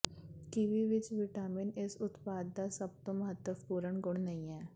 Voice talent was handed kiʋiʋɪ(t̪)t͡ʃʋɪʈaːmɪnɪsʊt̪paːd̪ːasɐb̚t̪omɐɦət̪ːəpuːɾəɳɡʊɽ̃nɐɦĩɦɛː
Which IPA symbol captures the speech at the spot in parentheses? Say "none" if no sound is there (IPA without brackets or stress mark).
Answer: none